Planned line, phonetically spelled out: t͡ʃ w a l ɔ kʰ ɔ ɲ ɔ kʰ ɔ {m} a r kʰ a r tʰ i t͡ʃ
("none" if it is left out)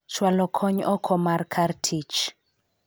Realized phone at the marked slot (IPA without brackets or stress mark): m